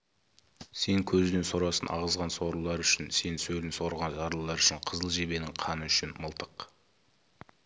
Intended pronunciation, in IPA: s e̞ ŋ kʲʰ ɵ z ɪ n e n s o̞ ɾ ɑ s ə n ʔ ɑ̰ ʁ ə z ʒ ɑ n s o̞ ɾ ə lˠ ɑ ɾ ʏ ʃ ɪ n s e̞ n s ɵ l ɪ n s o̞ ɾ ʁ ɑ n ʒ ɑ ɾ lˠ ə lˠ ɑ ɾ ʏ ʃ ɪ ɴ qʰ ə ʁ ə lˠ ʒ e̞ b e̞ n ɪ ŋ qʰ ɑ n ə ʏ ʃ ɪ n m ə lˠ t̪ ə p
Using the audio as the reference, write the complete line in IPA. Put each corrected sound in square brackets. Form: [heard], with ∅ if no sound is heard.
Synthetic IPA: s e̞ ŋ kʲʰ ɵ z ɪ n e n s o̞ ɾ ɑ s ə n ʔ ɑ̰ ʁ ə z [ʁ] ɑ n s o̞ ɾ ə lˠ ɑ ɾ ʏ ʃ ɪ n s e̞ n s ɵ l ɪ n s o̞ ɾ ʁ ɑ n ʒ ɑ ɾ lˠ ə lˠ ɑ ɾ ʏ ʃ ɪ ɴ qʰ ə [z] ə lˠ ʒ e̞ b e̞ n ɪ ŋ qʰ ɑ n ə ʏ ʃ ɪ n m ə lˠ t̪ ə [q]

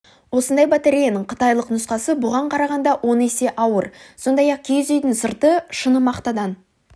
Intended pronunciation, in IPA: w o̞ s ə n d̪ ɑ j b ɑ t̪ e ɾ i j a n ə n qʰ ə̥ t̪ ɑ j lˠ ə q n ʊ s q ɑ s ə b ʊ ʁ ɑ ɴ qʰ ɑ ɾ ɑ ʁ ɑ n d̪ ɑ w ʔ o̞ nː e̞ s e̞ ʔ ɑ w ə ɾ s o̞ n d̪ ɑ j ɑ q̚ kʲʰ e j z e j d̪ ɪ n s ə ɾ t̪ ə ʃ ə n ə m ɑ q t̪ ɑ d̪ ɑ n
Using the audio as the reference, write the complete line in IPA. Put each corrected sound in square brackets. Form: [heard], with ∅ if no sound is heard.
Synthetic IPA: w o̞ s ə n d̪ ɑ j b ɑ t̪ e ɾ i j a n ə [ɴ] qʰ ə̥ t̪ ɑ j lˠ ə q n ʊ s q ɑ s ə b ʊ ʁ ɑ ɴ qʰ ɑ ɾ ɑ ʁ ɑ n d̪ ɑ w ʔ o̞ [n] e̞ s e̞ ʔ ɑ w ə ɾ s o̞ n d̪ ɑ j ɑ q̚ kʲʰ e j z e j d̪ ɪ n s ə ɾ t̪ ə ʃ ə n ə m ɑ q t̪ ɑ d̪ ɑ n

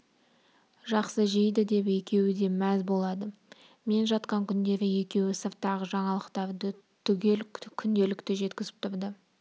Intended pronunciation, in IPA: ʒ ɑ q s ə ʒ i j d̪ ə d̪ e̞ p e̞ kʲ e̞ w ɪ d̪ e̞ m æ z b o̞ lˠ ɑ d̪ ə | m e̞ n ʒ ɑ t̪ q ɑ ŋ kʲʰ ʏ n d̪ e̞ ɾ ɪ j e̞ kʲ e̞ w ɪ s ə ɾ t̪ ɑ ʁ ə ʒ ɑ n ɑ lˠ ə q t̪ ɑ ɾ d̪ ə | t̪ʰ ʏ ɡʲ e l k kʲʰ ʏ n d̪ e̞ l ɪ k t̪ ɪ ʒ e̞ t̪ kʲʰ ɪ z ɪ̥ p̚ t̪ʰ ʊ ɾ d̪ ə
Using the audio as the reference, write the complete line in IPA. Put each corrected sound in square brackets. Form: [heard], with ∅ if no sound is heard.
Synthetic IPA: ʒ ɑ q s ə ʒ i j d̪ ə d̪ e̞ p e̞ kʲ e̞ w ɪ d̪ e̞ m æ z b o̞ lˠ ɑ d̪ ə | m e̞ n ʒ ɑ t̪ q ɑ ŋ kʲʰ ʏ n d̪ e̞ ɾ ɪ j e̞ kʲ e̞ w ɪ s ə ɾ t̪ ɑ ʁ ə ʒ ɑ [ɴ] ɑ lˠ ə q t̪ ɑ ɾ d̪ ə | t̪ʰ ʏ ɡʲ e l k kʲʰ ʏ n d̪ e̞ l ɪ k t̪ ɪ ʒ e̞ t̪ [kʲ] ɪ z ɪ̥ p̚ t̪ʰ ʊ ɾ d̪ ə

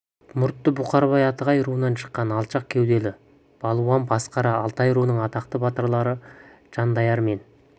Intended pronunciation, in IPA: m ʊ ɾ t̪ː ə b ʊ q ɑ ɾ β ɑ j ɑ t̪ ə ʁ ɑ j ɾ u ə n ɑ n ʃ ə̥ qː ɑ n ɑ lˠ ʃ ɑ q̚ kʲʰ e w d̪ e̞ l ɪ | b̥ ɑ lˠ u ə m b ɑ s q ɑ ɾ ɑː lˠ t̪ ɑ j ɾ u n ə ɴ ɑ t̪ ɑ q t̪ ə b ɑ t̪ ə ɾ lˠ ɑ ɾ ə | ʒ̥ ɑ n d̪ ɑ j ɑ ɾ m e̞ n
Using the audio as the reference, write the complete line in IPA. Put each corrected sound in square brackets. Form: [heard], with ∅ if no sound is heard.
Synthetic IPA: m ʊ ɾ t̪ː ə b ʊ q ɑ ɾ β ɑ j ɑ t̪ ə ʁ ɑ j ɾ u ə n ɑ n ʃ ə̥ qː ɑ n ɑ lˠ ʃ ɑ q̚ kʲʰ e w d̪ e̞ l ɪ | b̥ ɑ lˠ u [ɑ] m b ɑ s q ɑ ɾ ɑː lˠ t̪ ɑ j ɾ u n ə ɴ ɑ t̪ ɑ q t̪ ə b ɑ t̪ ə ɾ lˠ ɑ ɾ ə | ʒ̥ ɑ n d̪ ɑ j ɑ ɾ m e̞ n

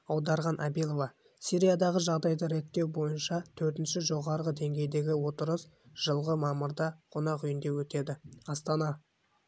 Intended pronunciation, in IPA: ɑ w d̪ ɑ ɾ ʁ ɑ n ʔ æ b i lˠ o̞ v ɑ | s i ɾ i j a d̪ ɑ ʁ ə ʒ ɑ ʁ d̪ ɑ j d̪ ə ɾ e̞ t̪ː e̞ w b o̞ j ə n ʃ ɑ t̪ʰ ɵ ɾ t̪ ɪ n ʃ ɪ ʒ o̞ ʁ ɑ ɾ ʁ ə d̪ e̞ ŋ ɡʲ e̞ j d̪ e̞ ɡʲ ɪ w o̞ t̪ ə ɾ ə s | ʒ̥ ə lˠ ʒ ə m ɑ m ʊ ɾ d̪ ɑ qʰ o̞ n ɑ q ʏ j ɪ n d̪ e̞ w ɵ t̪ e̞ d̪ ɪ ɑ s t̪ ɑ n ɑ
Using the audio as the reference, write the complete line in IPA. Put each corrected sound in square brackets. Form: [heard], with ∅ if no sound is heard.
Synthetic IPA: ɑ w d̪ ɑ ɾ ʁ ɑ n ʔ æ b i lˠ o̞ v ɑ | s i ɾ i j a d̪ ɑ ʁ ə ʒ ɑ ʁ d̪ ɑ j d̪ ə ɾ e̞ t̪ː e̞ w b o̞ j ə n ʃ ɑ t̪ʰ ɵ ɾ t̪ ɪ n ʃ ɪ ʒ o̞ ʁ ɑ ɾ ʁ ə d̪ e̞ ŋ ɡʲ e̞ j d̪ e̞ ɡʲ ɪ w o̞ t̪ ə ɾ ə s | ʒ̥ ə lˠ [ʁ] ə m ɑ m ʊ ɾ d̪ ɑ qʰ o̞ n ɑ q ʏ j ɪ n d̪ e̞ w ɵ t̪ e̞ d̪ ɪ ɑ s t̪ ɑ n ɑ

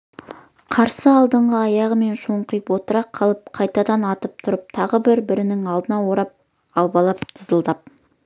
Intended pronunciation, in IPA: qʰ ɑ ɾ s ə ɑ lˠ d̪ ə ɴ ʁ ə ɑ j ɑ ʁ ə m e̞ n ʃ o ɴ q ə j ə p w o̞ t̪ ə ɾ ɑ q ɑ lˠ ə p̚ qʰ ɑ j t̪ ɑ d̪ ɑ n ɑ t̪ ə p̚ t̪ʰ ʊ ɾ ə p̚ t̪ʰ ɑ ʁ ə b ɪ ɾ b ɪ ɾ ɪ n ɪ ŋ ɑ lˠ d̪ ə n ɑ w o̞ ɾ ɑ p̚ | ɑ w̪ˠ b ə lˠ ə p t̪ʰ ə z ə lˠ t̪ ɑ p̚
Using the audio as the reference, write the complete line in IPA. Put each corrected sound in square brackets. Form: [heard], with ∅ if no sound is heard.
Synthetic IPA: qʰ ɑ ɾ s ə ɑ lˠ d̪ ə ɴ ʁ ə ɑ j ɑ ʁ ə m e̞ n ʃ o ɴ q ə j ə p w o̞ t̪ ə ɾ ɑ [qʰ] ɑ lˠ ə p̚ qʰ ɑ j t̪ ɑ d̪ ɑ n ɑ t̪ ə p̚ t̪ʰ ʊ ɾ ə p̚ t̪ʰ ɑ ʁ ə b ɪ ɾ b ɪ ɾ ɪ n ɪ ŋ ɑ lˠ d̪ ə n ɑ w o̞ ɾ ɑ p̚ | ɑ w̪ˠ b [ɑ] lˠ [ɑ] p t̪ʰ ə z ə lˠ [d̪] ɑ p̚

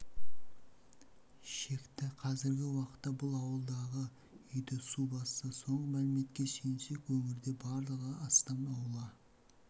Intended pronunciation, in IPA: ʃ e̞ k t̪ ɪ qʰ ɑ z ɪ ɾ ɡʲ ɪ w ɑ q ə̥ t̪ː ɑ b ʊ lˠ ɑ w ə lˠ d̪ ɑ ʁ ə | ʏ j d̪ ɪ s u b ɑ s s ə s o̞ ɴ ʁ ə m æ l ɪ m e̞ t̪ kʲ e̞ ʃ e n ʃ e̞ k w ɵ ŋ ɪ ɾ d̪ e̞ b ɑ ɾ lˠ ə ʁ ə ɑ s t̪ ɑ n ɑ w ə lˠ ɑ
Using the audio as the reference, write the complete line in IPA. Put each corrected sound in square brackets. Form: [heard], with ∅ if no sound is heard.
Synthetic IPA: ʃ e̞ k t̪ ɪ qʰ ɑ z ɪ ɾ ɡʲ ɪ w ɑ q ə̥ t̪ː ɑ b ʊ lˠ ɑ w ə lˠ d̪ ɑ ʁ ə | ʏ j d̪ ɪ s u b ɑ s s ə s o̞ ɴ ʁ ə m æ l ɪ m e̞ t̪ kʲ e̞ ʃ e n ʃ e̞ k w ɵ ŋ ɪ ɾ d̪ e̞ b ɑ ɾ lˠ ə ʁ ə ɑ s t̪ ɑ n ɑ w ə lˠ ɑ

